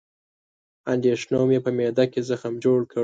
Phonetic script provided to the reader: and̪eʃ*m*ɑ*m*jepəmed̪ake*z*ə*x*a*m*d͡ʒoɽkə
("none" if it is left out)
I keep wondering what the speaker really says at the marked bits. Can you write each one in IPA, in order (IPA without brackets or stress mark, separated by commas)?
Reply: n, m, z, x, m